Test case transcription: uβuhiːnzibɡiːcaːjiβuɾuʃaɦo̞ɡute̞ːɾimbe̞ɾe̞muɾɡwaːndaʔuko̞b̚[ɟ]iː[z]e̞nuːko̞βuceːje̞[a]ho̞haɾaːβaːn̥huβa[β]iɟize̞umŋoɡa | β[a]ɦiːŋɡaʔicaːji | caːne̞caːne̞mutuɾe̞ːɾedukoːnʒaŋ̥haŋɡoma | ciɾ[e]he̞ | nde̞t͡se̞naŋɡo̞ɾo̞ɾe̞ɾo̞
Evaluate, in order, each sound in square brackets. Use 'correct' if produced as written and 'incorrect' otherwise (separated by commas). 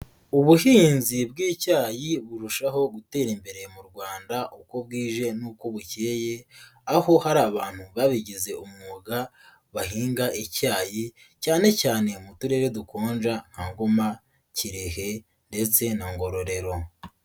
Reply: incorrect, incorrect, correct, correct, correct, correct